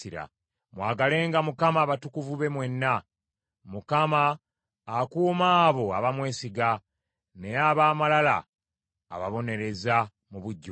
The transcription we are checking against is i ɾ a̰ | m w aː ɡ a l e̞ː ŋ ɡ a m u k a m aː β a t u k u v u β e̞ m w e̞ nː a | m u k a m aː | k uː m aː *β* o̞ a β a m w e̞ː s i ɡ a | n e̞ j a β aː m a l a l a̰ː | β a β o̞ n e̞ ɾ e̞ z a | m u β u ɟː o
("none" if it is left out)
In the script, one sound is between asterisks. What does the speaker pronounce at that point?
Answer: β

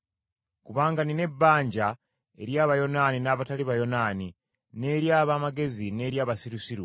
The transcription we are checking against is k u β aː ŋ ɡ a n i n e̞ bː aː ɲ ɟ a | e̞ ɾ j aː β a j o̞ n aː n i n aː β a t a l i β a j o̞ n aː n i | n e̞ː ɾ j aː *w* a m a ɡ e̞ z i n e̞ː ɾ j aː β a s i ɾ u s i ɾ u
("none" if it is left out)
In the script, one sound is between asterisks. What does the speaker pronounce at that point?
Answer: β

